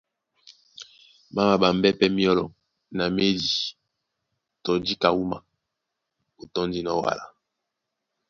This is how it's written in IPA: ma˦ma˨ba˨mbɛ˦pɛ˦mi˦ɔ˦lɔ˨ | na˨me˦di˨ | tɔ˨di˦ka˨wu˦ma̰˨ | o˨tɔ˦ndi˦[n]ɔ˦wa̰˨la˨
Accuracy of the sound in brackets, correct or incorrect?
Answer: correct